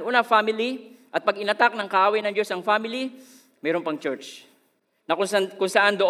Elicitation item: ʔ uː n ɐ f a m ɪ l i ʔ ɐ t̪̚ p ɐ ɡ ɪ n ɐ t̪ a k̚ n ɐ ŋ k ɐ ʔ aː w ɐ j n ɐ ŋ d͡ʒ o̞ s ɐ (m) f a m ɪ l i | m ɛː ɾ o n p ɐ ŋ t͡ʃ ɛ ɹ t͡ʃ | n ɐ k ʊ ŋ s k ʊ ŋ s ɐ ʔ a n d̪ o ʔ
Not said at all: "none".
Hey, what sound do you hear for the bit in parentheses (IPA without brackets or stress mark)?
ŋ